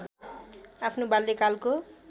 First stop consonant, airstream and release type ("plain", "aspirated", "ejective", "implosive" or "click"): aspirated